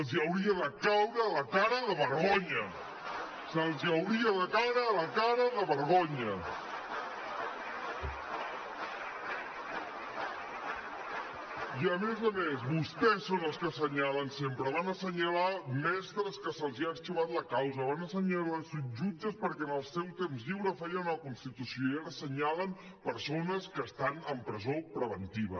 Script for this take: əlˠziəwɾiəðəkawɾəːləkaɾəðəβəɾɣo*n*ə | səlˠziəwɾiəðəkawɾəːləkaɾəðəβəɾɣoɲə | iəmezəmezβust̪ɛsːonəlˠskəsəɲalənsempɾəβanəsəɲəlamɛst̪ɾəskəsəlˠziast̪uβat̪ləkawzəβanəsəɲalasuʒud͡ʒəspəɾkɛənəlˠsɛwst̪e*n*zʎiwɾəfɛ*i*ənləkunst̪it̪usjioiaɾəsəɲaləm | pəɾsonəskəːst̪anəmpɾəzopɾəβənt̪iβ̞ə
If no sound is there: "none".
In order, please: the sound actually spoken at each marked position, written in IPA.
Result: ɲ, m, j

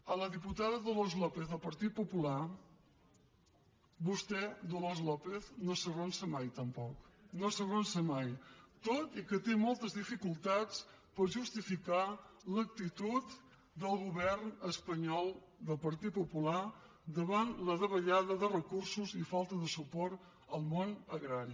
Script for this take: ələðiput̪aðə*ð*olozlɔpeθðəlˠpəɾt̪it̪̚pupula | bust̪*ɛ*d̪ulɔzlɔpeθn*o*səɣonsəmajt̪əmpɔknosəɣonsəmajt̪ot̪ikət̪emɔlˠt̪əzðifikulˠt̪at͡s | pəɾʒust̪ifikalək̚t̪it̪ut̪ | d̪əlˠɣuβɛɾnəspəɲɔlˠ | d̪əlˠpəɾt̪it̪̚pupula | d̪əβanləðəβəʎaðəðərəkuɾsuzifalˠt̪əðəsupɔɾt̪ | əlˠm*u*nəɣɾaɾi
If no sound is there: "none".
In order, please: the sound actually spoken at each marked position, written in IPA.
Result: ð, ɛ, o, o

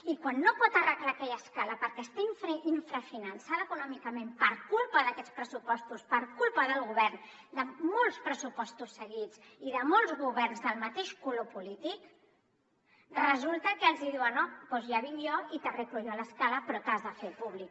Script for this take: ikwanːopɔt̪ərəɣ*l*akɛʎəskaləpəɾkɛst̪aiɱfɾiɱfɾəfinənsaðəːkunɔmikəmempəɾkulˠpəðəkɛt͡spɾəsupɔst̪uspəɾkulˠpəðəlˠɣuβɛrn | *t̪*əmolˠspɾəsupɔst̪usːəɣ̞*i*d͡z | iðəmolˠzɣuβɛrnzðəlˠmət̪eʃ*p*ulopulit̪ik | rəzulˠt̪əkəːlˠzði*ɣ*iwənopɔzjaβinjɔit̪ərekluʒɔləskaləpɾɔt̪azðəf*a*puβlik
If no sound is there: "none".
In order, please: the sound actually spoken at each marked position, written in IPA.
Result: l, d̪, i, k, ð, e

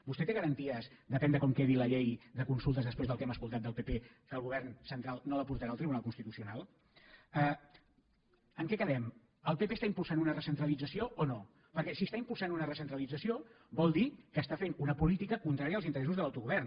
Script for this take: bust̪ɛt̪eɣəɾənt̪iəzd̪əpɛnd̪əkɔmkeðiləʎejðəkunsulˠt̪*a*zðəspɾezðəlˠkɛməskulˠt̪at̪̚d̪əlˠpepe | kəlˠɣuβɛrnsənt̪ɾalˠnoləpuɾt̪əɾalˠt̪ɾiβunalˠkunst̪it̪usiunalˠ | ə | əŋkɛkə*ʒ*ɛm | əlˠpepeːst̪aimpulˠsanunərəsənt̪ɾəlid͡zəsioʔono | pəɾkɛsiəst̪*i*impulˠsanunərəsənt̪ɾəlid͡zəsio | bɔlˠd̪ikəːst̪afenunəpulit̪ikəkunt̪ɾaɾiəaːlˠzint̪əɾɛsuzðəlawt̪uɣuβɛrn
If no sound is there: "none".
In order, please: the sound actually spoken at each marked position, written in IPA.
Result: ə, ð, a

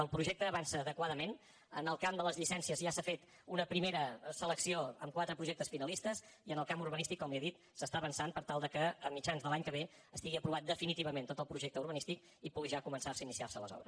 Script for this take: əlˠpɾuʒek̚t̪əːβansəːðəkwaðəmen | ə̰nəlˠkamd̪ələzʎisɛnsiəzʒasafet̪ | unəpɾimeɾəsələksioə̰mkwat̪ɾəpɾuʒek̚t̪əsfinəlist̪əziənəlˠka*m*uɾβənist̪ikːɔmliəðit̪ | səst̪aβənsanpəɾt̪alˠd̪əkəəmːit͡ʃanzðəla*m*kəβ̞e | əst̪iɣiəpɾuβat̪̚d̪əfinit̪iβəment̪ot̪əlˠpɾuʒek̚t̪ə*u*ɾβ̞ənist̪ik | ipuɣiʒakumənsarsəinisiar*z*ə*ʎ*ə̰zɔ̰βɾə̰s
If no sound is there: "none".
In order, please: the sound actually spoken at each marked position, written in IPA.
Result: m, ɲ, u, s, l

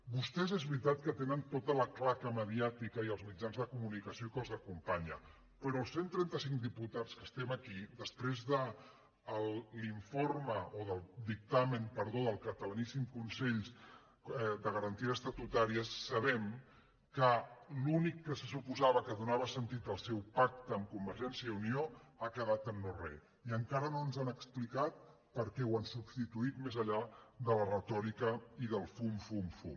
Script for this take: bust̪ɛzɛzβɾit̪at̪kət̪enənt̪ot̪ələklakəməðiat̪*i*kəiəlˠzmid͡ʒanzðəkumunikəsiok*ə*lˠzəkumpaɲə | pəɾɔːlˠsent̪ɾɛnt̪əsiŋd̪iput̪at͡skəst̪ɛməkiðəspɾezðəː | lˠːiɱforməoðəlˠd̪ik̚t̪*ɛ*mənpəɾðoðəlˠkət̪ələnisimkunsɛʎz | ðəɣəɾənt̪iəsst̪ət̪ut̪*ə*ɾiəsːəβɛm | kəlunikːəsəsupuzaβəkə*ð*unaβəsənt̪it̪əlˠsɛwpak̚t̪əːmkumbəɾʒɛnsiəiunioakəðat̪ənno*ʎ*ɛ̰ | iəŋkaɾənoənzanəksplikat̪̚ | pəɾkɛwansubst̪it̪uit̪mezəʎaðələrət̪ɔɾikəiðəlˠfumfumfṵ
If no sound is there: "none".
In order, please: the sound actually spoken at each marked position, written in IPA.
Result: i, ə, a, a, ð, r

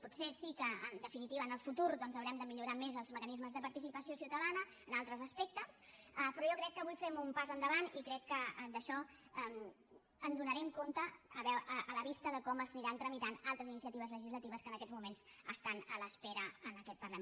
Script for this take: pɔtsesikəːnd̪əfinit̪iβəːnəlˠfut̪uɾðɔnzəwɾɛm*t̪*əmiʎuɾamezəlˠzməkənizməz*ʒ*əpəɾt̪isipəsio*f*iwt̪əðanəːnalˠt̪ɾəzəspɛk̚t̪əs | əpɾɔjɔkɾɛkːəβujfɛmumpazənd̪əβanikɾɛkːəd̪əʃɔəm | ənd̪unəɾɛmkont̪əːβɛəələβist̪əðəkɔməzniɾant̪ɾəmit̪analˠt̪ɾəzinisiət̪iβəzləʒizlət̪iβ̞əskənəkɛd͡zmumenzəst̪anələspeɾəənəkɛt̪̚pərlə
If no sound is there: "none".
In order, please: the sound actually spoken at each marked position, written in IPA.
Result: d̪, ð, s

